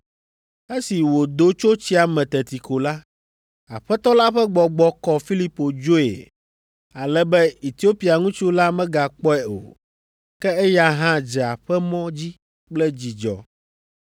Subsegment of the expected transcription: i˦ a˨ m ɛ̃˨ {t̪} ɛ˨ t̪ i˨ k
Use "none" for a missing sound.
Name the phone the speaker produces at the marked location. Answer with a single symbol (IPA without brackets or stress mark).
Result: t̪